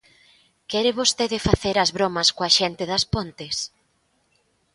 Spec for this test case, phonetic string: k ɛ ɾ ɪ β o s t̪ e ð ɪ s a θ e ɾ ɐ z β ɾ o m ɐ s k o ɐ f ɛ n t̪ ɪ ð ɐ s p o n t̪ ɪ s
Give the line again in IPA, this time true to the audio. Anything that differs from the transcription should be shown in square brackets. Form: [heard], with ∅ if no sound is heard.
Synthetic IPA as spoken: k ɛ ɾ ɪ β o s t̪ e ð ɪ [f] a θ e ɾ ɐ z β ɾ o m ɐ s k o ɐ [ʃ] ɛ n t̪ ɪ ð ɐ s p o n t̪ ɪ s